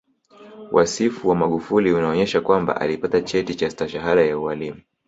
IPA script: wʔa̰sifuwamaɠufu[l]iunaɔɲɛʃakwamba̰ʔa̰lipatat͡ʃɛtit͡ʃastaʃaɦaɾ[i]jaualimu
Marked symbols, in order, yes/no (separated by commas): yes, no